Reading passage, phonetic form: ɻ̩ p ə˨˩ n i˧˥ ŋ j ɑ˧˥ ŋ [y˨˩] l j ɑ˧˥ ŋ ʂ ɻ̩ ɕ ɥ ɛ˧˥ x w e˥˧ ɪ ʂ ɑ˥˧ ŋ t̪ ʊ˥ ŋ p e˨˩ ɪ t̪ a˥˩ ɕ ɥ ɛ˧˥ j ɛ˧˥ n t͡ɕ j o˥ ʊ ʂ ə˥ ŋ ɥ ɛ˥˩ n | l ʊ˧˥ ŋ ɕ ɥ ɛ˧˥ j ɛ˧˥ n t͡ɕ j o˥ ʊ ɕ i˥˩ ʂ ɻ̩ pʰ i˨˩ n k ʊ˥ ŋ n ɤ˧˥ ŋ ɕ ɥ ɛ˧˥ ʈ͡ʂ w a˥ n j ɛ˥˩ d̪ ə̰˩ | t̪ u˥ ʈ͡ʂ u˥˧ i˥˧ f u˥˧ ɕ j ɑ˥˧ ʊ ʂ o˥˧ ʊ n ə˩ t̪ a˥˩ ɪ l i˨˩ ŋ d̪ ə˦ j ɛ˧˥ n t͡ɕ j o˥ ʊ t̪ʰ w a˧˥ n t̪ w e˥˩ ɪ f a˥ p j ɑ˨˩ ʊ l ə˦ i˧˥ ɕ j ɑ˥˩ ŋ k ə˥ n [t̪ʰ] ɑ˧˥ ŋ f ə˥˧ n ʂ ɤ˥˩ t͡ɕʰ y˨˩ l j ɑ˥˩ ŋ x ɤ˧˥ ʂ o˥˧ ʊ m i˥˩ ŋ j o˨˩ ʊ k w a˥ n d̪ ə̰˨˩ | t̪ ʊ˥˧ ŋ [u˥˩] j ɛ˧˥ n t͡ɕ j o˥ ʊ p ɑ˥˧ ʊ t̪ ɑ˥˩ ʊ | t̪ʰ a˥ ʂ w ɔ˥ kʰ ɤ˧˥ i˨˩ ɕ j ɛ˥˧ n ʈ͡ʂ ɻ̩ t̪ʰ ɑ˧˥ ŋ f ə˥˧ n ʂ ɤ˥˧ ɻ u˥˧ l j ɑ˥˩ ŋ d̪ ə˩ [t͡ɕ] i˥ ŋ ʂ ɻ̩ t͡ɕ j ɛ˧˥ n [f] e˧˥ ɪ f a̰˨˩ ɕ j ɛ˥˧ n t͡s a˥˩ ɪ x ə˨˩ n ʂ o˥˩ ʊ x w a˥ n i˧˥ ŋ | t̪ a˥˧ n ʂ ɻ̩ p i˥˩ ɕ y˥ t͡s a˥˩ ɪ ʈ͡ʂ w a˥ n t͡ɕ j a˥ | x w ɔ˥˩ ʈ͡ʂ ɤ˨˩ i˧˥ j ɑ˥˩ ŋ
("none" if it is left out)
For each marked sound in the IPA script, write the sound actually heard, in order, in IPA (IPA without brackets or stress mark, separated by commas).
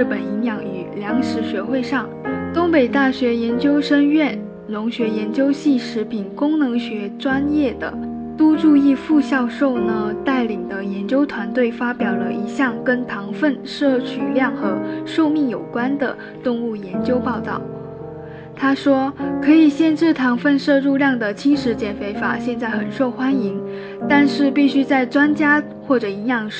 y˨˩, t̪ʰ, u˥˩, t͡ɕʰ, f